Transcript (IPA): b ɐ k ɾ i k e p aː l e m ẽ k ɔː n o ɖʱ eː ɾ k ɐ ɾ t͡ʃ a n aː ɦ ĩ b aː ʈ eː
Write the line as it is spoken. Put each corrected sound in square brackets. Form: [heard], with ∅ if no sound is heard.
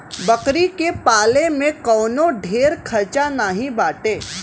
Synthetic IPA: b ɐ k ɾ i k e p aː l e m ẽ k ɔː n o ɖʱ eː ɾ [kʰ] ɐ ɾ t͡ʃ a n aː ɦ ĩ b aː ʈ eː